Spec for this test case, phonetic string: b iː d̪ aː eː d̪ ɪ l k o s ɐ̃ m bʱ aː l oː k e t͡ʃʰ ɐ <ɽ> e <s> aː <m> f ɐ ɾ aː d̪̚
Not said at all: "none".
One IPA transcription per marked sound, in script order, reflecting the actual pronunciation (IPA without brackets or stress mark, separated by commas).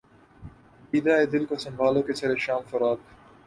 ɾ, ʃ, m